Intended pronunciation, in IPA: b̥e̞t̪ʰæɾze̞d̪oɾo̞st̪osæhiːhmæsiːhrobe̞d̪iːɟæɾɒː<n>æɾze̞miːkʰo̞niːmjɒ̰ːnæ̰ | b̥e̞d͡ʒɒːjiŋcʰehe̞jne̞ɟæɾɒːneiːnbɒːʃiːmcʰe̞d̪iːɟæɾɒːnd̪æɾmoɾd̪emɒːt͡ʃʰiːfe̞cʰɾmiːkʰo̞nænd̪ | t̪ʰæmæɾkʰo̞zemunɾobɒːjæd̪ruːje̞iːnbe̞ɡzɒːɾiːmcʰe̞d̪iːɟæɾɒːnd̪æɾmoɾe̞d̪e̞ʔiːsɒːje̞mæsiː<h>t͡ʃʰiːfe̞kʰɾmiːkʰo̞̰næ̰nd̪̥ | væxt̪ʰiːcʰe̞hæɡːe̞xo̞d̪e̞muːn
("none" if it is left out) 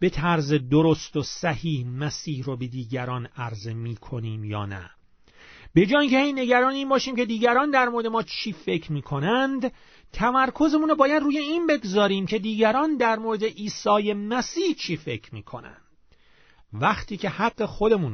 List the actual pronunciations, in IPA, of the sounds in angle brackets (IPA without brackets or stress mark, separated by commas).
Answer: n, h